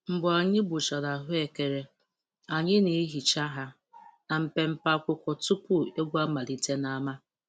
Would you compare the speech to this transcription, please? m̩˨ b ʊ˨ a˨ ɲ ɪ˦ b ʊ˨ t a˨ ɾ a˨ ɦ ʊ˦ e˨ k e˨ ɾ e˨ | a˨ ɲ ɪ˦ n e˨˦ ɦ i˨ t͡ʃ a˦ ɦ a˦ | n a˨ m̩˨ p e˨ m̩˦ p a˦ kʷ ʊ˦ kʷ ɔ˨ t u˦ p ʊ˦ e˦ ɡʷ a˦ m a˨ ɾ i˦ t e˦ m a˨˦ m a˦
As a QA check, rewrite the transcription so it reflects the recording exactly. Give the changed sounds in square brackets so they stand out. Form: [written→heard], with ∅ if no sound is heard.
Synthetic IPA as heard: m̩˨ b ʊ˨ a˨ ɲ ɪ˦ b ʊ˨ [t→t͡ʃ] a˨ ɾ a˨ ɦ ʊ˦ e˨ k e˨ ɾ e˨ | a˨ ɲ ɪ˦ n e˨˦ ɦ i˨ t͡ʃ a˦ ɦ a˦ | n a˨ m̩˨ p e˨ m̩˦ p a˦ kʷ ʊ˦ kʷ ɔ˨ t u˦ p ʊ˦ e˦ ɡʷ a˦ m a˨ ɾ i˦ t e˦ [m→n] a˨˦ m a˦